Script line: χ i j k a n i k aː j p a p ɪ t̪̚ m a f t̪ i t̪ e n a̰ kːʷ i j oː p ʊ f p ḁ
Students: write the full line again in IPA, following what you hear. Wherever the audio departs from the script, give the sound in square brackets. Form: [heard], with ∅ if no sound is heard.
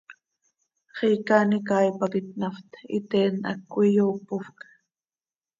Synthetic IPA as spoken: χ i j k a n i k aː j p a [k] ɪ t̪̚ [n] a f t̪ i t̪ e n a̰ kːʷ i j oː p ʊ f [k] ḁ